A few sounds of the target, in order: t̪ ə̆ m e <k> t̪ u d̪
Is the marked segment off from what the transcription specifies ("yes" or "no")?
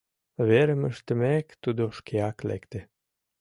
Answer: no